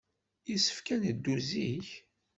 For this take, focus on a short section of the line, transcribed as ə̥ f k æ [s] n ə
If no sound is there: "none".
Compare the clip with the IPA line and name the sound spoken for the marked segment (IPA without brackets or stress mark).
none